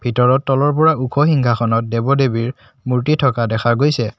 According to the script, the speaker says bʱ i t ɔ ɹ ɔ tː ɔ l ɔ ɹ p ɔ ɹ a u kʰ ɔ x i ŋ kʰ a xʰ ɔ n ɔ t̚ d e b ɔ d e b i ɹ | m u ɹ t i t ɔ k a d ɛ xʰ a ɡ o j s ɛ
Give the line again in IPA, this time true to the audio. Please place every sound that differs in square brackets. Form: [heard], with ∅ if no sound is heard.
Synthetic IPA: bʱ i t ɔ ɹ ɔ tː ɔ l ɔ ɹ p ɔ ɹ a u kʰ ɔ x i ŋ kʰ a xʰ ɔ n ɔ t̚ d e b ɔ d e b i ɹ | m u ɹ t i [tʰ] ɔ k a d ɛ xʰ a ɡ o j s ɛ